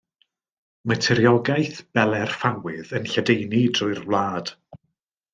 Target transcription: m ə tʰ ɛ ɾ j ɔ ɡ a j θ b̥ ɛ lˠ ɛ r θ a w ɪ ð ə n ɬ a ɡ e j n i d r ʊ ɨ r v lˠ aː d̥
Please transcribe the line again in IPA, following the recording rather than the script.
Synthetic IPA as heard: m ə tʰ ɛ ɾ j ɔ ɡ a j θ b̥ ɛ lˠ ɛ r f a w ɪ ð ə n ɬ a d e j n i d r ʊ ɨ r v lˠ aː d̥